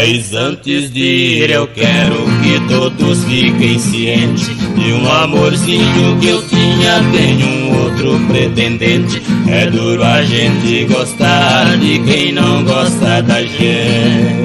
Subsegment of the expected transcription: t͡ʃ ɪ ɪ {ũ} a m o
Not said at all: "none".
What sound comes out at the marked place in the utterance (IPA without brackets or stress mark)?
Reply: ũ